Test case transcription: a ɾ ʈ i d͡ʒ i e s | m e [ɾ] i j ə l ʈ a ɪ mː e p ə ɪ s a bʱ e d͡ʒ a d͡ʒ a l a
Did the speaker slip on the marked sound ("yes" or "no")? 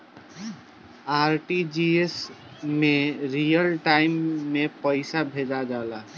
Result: no